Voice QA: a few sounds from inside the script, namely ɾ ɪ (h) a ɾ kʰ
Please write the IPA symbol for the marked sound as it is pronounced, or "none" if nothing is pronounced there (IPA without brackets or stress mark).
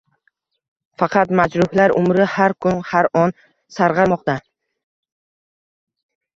h